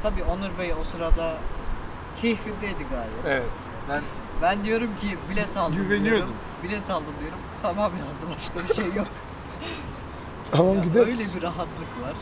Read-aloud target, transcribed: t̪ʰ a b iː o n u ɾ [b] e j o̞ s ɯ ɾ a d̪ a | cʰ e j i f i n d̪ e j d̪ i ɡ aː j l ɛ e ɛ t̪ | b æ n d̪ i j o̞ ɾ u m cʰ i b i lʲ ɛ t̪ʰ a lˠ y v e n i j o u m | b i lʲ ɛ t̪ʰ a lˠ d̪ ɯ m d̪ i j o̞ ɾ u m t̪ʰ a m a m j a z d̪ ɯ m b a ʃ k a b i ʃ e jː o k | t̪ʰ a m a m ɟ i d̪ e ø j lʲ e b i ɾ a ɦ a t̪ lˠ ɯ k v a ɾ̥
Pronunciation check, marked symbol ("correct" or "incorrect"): correct